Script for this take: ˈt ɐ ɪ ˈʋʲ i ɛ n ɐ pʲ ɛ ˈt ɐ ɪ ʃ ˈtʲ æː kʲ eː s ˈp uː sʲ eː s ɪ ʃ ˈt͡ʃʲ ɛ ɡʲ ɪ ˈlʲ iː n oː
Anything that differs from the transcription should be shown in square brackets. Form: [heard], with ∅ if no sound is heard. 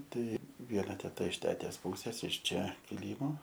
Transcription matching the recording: ˈt ɐ ɪ ˈʋʲ i ɛ n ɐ [tʲ] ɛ ˈt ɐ ɪ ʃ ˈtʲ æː [tʲ] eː s ˈp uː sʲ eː s ɪ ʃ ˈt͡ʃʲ ɛ [kʲ] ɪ ˈlʲ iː [m] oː